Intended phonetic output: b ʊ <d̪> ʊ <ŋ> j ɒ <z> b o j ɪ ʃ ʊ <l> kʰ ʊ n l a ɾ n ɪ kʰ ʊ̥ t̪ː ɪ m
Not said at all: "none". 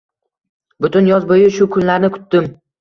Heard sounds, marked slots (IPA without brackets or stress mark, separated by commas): t̪, n, z, none